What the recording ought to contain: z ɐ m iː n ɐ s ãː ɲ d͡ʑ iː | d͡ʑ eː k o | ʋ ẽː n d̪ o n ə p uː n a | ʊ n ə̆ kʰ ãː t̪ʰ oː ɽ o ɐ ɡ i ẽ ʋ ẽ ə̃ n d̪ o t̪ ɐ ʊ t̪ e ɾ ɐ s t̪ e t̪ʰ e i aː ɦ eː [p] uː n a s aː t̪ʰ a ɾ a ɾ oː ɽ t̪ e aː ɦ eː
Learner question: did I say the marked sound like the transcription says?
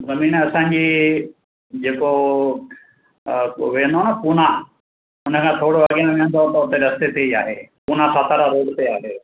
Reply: yes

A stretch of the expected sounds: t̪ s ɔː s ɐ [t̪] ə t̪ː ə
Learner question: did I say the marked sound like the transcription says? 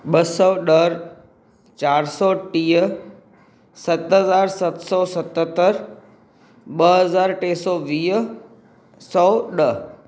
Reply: yes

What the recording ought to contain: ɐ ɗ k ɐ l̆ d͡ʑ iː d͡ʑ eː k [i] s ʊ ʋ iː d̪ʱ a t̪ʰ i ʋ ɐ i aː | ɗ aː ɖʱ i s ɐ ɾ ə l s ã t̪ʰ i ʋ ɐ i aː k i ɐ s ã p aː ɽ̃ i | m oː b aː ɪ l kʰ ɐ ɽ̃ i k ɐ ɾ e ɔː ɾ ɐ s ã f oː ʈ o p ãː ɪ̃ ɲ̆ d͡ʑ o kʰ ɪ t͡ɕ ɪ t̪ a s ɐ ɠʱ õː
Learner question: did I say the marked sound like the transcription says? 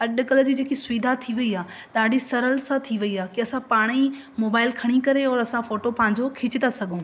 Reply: yes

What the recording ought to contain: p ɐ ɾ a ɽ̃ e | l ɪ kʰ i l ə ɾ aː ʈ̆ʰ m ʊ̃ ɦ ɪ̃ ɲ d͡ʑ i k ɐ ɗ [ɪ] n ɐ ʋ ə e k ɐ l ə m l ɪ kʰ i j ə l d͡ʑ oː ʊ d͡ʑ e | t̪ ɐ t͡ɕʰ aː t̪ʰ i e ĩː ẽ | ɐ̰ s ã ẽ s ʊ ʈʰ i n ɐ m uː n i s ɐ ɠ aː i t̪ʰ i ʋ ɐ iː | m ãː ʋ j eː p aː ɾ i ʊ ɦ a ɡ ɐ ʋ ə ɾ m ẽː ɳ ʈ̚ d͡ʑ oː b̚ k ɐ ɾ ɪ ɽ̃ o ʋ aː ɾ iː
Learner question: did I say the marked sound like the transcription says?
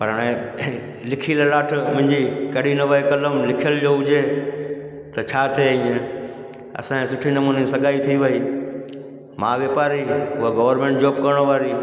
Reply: no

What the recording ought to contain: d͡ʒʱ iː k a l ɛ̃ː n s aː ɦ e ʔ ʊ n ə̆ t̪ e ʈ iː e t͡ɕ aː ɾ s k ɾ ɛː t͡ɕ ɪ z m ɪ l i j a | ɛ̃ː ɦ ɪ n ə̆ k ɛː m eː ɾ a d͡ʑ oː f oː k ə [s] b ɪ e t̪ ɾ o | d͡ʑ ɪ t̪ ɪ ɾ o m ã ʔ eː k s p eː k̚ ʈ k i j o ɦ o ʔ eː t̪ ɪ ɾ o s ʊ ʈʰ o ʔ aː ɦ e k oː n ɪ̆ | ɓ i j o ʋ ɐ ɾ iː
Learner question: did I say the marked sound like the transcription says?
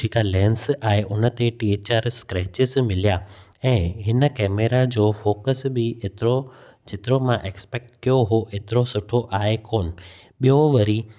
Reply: yes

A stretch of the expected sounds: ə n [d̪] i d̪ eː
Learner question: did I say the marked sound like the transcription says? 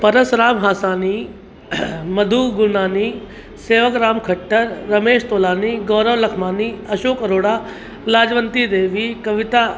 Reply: no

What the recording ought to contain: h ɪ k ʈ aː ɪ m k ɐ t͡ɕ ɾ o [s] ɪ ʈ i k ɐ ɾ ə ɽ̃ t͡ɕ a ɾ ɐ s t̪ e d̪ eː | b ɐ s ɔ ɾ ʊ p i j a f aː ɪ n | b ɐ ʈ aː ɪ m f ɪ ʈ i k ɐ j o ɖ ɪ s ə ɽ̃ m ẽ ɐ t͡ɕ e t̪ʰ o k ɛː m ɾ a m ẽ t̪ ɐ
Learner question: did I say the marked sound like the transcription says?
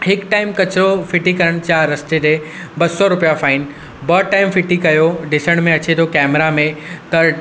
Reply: no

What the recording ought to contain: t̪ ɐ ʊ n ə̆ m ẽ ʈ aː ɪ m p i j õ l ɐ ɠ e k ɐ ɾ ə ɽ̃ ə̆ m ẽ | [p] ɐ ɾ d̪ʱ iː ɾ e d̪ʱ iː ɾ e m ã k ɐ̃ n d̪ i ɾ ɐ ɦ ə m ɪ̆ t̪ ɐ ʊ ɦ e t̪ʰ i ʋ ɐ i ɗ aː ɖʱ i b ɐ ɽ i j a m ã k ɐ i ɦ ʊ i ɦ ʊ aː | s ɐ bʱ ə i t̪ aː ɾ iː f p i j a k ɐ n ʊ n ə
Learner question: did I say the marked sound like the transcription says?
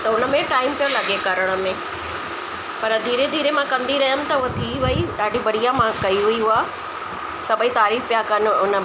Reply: yes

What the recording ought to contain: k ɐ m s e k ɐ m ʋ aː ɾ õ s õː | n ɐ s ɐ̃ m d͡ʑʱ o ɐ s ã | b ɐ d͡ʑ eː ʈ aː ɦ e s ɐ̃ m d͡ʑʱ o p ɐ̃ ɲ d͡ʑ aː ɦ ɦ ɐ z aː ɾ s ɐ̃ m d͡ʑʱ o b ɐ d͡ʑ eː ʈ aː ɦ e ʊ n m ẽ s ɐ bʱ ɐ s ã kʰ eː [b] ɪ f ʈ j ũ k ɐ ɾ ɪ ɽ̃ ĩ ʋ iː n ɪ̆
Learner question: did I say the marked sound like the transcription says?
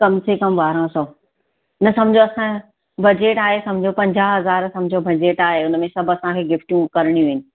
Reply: no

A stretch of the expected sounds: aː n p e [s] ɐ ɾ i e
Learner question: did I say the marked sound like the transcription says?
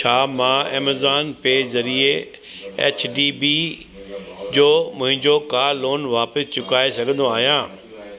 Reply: no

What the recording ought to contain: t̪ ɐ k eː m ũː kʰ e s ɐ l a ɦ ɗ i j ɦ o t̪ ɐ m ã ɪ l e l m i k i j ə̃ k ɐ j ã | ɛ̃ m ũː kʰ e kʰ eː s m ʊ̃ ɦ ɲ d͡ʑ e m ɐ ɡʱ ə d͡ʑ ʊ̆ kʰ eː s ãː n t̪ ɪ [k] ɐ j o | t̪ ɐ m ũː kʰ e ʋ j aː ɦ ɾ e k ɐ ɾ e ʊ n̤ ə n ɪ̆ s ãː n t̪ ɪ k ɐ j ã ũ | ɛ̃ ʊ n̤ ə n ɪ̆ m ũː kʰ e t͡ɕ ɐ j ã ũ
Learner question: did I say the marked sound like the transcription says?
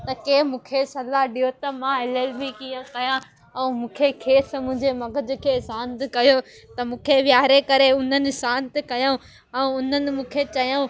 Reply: yes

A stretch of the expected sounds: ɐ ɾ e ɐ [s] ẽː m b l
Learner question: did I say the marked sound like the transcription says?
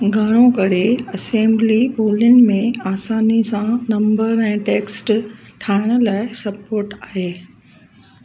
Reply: yes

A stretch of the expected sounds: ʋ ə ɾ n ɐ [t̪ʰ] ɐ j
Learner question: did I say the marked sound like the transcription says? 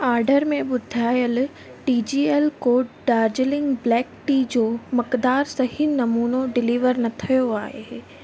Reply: yes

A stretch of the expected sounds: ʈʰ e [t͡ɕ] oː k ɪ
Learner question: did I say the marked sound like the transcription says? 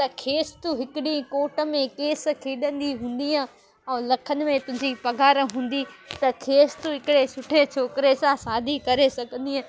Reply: no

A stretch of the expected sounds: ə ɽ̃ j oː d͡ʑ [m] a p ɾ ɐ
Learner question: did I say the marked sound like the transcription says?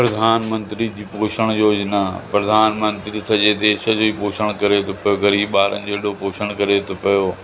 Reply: no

